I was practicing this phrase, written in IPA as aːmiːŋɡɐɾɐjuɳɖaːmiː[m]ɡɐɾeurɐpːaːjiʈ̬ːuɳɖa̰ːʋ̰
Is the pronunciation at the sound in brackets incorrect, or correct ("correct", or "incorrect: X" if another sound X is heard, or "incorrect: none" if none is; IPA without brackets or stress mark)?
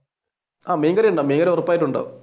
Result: incorrect: ŋ